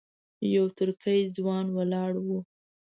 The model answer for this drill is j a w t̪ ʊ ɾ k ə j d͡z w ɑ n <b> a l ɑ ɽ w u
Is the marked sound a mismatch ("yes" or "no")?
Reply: yes